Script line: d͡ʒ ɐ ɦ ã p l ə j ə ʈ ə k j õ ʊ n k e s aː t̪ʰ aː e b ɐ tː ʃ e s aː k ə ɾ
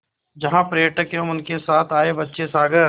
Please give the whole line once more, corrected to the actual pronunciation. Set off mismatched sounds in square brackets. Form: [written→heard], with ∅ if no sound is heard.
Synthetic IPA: d͡ʒ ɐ ɦ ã p [l→ɾ] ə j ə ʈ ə k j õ ʊ n k e s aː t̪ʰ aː e b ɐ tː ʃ e s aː [k→ɡ] ə ɾ